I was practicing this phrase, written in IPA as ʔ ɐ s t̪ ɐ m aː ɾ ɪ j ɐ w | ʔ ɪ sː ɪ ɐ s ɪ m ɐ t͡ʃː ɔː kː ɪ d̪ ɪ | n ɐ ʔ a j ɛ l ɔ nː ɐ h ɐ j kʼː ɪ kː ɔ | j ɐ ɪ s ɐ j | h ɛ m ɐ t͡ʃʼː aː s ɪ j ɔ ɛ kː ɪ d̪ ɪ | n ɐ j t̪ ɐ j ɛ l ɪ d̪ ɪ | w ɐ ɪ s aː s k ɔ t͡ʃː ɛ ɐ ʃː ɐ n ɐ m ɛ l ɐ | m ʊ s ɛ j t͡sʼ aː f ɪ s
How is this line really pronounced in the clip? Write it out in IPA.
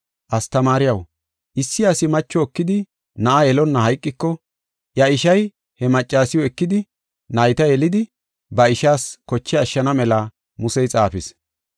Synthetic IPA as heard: ʔ ɐ s t̪ ɐ m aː ɾ ɪ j ɐ w | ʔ ɪ sː ɪ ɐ s ɪ m ɐ t͡ʃː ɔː kː ɪ d̪ ɪ | n ɐ ʔ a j ɛ l ɔ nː ɐ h ɐ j kʼː ɪ kː ɔ | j ɐ ɪ ʃ ɐ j | h ɛ m ɐ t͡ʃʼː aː s ɪ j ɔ ɛ kː ɪ d̪ ɪ | n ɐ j t̪ ɐ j ɛ l ɪ d̪ ɪ | b ɐ ɪ ʃ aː s k ɔ t͡ʃː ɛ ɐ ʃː ɐ n ɐ m ɛ l ɐ | m ʊ s ɛ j t͡sʼ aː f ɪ s

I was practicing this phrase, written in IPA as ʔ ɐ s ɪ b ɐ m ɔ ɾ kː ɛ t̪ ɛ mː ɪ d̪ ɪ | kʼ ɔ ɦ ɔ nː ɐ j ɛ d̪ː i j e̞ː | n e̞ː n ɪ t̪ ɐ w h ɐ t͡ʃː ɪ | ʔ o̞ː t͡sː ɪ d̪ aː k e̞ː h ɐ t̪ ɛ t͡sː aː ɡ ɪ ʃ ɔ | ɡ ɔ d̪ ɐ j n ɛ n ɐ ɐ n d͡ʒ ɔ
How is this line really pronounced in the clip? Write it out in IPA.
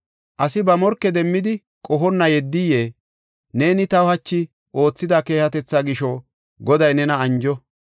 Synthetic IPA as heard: ʔ ɐ s ɪ b ɐ m ɔ ɾ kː ɛ d̪ ɛ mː ɪ d̪ ɪ | kʼ ɔ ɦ ɔ nː ɐ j ɛ d̪ː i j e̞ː | n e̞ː n ɪ t̪ ɐ w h ɐ t͡ʃː ɪ | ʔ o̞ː t͡sː ɪ d̪ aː k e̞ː h ɐ t̪ ɛ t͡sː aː ɡ ɪ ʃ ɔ | ɡ ɔ d̪ ɐ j n ɛ n ɐ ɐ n d͡ʒ ɔ

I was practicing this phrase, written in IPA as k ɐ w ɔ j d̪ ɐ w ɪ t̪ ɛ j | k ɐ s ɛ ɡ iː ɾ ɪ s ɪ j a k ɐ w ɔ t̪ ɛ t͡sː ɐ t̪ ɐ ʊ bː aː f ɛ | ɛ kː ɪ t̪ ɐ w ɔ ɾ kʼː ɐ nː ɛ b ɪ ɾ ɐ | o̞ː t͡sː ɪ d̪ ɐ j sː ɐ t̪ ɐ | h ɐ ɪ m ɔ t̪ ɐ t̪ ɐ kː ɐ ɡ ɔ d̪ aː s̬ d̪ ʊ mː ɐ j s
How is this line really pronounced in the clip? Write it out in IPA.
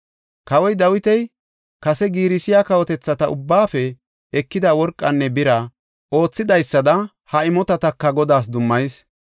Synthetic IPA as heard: k ɐ w ɔ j d̪ ɐ w ɪ t̪ ɛ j | k ɐ s ɛ ɡ iː ɾ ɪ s ɪ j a k ɐ w ɔ t̪ ɛ t͡sː ɐ t̪ ɐ ʊ bː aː f ɛ | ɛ kː ɪ d̪ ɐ w ɔ ɾ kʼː ɐ nː ɛ b ɪ ɾ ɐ | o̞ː t͡sː ɪ d̪ ɐ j sː ɐ d̪ ɐ | h ɐ ɪ m ɔ t̪ ɐ t̪ ɐ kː ɐ ɡ ɔ d̪ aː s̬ d̪ ʊ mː ɐ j s

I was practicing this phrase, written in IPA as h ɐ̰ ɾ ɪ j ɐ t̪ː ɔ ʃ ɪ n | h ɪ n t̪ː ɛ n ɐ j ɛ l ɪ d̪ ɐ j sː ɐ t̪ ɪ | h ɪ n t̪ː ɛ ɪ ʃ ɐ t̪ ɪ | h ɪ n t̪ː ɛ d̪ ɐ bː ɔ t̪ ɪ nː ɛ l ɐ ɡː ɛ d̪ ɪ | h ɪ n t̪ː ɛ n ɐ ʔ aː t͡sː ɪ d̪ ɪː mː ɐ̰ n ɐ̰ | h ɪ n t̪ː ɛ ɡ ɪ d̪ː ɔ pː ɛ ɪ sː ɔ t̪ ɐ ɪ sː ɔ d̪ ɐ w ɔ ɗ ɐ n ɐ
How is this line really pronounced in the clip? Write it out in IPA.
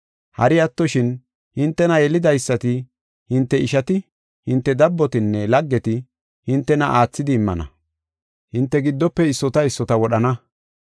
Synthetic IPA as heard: h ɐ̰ ɾ ɪ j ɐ t̪ː ɔ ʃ ɪ n | h ɪ n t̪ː ɛ n ɐ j ɛ l ɪ d̪ ɐ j sː ɐ t̪ ɪ | h ɪ n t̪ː ɛ ɪ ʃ ɐ t̪ ɪ | h ɪ n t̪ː ɛ d̪ ɐ bː ɔ t̪ ɪ nː ɛ l ɐ ɡː ɛ t̪ ɪ | h ɪ n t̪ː ɛ n ɐ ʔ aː t͡sː ɪ d̪ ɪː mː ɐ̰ n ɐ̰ | h ɪ n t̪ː ɛ ɡ ɪ d̪ː ɔ pː ɛ ɪ sː ɔ t̪ ɐ ɪ sː ɔ t̪ ɐ w ɔ ɗ ɐ n ɐ

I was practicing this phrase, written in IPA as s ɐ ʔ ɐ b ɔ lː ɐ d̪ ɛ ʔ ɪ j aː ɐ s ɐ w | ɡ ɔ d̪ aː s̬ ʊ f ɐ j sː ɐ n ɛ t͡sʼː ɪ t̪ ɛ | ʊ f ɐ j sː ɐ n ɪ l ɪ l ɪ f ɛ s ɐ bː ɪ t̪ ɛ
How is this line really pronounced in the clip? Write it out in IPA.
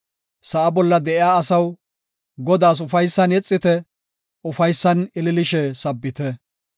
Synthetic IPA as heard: s ɐ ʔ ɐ b ɔ lː ɐ d̪ ɛ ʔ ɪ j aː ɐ s ɐ w | ɡ ɔ d̪ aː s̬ ʊ f ɐ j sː ɐ n ɛ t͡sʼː ɪ t̪ ɛ | ʊ f ɐ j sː ɐ n ɪ l ɪ l ɪ ʃ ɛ s ɐ bː ɪ t̪ ɛ

